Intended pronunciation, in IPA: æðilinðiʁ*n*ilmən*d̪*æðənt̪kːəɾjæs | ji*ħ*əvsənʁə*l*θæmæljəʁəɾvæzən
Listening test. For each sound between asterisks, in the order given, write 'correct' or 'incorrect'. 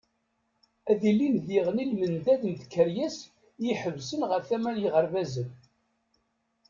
correct, correct, correct, incorrect

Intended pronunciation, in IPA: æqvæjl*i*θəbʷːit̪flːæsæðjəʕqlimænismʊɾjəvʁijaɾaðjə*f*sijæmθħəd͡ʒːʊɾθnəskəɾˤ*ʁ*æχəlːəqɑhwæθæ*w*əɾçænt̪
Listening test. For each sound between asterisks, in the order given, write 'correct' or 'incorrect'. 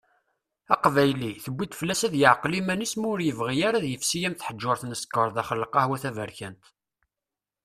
correct, correct, incorrect, incorrect

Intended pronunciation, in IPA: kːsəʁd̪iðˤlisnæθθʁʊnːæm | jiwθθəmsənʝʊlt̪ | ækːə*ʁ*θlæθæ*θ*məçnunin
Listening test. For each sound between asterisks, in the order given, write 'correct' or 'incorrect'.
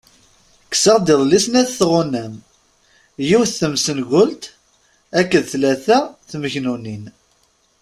incorrect, correct

